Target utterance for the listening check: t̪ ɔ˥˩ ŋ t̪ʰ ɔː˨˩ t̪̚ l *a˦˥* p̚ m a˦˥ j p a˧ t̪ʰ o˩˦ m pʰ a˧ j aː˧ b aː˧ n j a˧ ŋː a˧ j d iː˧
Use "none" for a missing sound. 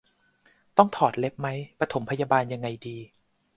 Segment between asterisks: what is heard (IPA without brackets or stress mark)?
e˦˥